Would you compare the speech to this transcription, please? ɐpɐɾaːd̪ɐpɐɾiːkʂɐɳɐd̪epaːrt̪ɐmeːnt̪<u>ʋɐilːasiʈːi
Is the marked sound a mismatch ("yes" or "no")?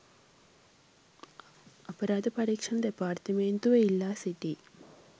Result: no